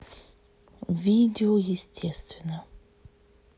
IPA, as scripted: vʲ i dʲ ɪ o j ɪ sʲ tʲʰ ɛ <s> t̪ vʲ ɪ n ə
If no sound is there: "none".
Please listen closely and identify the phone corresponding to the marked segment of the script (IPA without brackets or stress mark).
s